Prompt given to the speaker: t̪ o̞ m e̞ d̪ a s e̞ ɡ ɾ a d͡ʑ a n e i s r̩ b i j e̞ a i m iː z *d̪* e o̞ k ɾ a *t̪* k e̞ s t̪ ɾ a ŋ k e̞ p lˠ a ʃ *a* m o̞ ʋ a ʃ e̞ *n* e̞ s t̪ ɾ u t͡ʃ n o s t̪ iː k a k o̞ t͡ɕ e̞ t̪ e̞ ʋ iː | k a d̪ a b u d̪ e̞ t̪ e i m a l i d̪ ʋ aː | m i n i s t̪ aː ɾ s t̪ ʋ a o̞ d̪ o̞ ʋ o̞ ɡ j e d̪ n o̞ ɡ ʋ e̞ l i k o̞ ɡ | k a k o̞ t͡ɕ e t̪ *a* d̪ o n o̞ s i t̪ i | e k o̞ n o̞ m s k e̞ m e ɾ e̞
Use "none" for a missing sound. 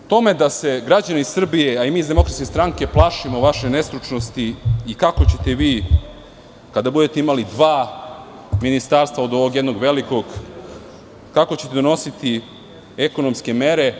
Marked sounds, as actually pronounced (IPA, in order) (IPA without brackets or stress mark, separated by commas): d̪, t̪, i, n, e